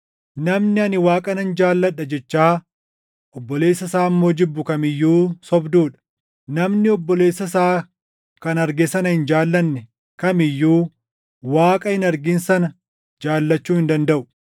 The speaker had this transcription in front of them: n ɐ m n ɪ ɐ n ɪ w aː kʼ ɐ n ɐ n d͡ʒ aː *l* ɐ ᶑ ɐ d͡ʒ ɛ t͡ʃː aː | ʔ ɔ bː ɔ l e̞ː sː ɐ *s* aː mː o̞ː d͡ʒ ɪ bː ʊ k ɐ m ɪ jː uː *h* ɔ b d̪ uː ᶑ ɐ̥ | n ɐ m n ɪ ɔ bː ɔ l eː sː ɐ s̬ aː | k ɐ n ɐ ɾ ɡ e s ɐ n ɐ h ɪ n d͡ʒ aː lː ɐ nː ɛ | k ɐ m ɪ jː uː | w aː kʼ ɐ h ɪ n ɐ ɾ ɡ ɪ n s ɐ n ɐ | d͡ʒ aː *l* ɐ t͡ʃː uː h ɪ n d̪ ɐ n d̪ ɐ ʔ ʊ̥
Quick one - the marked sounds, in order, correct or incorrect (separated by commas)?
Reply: incorrect, correct, incorrect, incorrect